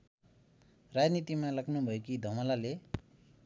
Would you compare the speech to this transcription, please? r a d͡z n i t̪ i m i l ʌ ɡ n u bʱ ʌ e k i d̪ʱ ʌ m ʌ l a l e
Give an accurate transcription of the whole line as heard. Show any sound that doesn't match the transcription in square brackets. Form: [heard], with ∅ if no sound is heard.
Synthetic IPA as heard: r a d͡z n i t̪ i m [a] l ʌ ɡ n u bʱ ʌ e k i d̪ʱ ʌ m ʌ l a l e

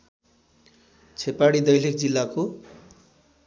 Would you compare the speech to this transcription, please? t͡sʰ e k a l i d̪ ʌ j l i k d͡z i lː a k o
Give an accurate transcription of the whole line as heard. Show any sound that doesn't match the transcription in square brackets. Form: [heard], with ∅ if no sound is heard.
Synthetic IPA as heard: t͡sʰ e [p] a [ɽ] i d̪ ʌ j l i k d͡z i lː a k o

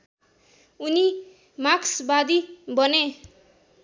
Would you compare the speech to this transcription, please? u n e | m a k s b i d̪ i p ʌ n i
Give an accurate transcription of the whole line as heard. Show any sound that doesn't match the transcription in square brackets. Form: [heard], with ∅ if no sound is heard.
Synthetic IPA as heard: u n [i] | m a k s b [a] d̪ i [b] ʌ n [e]

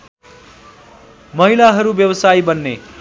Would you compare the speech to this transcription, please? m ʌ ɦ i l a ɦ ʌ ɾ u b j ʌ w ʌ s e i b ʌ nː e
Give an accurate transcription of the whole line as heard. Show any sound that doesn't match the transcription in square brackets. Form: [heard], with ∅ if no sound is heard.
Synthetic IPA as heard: m ʌ ɦ i l a ɦ ʌ ɾ u b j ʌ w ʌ s [a] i b ʌ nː e

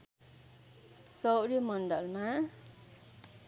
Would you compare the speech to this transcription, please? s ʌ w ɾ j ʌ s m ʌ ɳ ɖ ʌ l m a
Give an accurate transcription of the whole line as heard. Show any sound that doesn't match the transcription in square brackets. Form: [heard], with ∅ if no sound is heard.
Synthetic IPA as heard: s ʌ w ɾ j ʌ [∅] m ʌ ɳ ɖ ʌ l m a

